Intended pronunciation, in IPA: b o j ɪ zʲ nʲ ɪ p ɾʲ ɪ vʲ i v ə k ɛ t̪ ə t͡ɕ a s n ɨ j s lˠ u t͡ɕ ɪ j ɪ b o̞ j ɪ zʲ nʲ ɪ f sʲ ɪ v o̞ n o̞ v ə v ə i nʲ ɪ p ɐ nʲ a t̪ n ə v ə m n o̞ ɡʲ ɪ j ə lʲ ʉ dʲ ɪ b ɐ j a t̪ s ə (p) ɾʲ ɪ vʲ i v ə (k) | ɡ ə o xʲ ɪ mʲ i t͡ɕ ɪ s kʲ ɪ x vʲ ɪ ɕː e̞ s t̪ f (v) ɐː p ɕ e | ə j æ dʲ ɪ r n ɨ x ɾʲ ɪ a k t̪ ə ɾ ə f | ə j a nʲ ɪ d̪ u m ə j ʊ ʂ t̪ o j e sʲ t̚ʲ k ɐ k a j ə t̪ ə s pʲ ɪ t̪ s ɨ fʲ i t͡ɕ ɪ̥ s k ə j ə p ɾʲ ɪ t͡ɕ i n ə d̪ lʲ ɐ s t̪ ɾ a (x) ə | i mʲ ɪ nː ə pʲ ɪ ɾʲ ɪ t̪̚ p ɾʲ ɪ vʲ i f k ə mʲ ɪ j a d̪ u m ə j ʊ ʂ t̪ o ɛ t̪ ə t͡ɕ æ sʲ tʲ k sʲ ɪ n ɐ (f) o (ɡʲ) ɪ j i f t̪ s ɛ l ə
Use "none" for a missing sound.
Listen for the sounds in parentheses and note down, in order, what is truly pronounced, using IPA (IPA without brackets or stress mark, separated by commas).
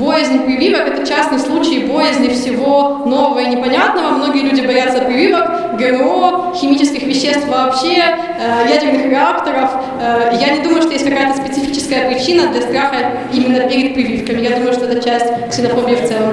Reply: p, k, v, x, f, bʲ